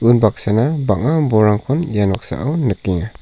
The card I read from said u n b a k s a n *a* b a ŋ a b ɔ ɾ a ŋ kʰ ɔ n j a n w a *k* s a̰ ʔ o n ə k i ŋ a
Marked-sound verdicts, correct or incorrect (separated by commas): correct, correct